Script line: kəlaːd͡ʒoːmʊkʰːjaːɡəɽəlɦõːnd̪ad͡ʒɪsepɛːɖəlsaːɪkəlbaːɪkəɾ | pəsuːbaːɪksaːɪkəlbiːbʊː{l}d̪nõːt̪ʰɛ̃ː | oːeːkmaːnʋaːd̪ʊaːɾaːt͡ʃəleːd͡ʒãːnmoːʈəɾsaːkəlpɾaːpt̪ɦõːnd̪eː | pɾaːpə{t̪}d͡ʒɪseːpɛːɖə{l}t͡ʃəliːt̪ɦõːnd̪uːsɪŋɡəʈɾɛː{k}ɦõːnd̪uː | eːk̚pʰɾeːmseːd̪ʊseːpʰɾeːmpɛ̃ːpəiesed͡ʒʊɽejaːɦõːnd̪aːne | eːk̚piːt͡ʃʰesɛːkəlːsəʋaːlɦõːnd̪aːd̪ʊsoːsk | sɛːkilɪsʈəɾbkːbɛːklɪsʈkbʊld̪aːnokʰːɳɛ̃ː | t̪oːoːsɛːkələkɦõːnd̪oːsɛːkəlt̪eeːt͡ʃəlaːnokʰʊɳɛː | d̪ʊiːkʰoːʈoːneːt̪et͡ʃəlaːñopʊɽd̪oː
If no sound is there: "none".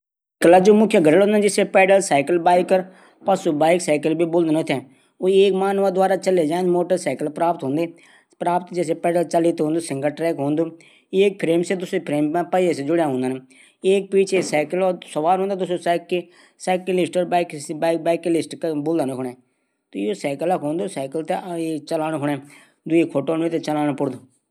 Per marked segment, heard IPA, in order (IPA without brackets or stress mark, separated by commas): l, t̪, l, k